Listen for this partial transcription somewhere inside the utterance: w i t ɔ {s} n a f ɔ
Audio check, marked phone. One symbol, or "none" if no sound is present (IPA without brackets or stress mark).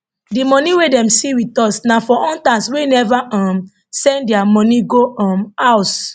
s